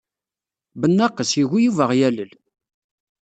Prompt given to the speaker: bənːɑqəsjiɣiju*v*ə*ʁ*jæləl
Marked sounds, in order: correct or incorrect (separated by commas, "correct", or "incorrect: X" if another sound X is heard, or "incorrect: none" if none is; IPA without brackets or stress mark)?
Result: correct, correct